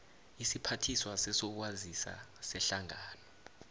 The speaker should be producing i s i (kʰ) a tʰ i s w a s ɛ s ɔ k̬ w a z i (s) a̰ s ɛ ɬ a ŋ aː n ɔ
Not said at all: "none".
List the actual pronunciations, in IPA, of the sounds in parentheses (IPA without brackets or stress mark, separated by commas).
pʰ, s